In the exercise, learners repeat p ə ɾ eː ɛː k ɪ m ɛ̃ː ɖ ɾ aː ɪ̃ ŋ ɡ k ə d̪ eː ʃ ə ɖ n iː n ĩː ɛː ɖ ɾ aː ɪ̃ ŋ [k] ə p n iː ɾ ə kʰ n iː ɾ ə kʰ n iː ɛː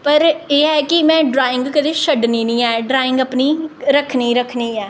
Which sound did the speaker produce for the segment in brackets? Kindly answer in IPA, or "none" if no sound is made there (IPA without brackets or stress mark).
ɡ